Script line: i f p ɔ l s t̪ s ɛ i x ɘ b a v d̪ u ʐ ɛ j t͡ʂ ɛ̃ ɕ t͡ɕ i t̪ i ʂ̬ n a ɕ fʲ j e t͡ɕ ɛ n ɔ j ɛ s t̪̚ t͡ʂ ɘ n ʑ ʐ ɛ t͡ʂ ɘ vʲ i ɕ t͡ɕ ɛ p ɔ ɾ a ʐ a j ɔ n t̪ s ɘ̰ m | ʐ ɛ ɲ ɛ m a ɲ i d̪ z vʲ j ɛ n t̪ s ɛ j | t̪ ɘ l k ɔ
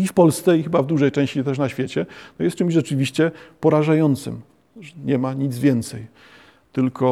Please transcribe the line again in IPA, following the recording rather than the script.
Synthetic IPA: i f p ɔ l s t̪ s ɛ i x ɘ b a v d̪ u ʐ ɛ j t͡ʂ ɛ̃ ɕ t͡ɕ i t̪ ɛ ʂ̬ n a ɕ fʲ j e t͡ɕ ɛ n ɔ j ɛ s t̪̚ t͡ʂ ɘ m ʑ ʐ ɛ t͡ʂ ɘ vʲ i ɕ t͡ɕ ɛ p ɔ ɾ a ʐ a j ɔ n t̪ s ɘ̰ m | ʐ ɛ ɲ ɛ m a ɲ i d̪ z vʲ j ɛ n t̪ s ɛ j | t̪ ɘ l k ɔ